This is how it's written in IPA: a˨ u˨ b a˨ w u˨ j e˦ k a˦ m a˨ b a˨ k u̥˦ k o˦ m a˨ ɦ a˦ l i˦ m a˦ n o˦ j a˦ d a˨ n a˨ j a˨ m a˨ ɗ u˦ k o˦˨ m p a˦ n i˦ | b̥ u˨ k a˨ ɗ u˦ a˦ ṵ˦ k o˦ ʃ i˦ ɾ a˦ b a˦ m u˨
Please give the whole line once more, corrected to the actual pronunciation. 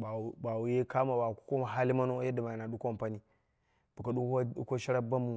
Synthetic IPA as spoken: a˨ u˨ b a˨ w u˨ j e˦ k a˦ m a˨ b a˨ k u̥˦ k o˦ m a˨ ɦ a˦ l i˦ m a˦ n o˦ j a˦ d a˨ m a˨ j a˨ n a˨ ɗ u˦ k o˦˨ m p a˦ n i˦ | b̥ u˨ k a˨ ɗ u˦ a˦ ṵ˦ k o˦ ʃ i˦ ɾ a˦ b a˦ m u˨